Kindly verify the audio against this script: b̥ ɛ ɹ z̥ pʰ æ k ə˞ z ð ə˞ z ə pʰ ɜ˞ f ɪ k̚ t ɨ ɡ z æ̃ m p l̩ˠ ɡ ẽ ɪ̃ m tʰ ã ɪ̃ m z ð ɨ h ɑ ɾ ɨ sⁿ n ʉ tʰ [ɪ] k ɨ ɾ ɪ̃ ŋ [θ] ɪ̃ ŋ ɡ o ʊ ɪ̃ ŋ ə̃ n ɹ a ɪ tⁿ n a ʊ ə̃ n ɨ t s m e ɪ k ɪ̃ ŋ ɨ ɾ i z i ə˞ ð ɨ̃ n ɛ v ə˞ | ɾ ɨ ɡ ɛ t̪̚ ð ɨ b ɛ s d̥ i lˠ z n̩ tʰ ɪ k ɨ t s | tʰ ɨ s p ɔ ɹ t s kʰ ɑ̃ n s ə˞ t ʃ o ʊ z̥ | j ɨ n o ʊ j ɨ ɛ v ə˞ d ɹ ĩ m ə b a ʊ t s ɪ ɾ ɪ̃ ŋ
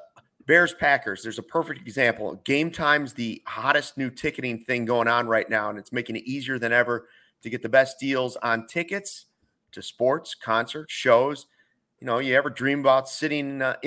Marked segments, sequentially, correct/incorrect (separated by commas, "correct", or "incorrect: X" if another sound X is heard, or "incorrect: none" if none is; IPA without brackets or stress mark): correct, correct